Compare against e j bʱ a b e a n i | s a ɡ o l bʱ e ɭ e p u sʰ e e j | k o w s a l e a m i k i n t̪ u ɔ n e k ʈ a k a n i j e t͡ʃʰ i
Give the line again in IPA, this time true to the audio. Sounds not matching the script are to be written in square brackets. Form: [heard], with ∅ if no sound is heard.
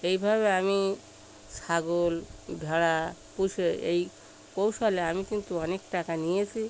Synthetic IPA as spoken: e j bʱ a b e a [m] i | s a ɡ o l bʱ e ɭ [a] p u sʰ e e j | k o w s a l e a m i k i n t̪ u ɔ n e k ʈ a k a n i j e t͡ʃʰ i